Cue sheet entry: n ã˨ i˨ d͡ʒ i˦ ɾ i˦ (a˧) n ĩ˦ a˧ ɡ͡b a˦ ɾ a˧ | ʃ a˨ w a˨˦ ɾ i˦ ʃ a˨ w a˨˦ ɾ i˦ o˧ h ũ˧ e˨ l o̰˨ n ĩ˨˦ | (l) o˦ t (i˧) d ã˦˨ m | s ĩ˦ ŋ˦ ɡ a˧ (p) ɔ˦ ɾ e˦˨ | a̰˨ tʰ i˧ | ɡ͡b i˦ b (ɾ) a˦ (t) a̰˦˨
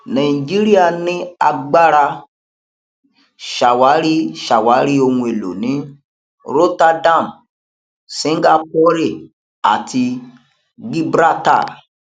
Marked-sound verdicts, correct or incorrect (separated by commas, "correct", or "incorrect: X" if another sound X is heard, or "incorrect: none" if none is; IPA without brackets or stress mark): correct, incorrect: ɾ, incorrect: a˧, correct, correct, correct